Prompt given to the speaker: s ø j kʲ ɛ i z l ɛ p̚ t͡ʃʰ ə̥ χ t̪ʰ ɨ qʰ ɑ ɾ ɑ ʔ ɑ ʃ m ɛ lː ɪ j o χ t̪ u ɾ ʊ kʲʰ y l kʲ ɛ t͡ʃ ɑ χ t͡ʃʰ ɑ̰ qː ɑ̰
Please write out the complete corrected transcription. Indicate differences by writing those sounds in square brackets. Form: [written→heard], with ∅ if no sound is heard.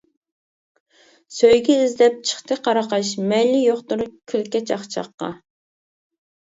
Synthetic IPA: s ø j [kʲ→ɡʲ] ɛ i z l ɛ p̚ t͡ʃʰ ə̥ χ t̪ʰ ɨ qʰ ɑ ɾ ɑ [ʔ→q] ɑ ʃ m ɛ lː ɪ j o χ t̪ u ɾ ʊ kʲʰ y l kʲ ɛ t͡ʃ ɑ χ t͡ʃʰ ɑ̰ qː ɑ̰